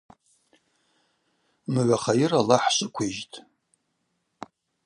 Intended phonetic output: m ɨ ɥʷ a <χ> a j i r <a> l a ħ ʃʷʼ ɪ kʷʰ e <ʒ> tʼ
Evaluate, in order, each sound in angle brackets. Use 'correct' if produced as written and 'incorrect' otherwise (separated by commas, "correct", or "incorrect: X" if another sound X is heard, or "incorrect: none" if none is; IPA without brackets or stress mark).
correct, correct, correct